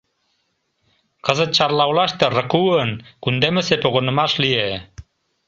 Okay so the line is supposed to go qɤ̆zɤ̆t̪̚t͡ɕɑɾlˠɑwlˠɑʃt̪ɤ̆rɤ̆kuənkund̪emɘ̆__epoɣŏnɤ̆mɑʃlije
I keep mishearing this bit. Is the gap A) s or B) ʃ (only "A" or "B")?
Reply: A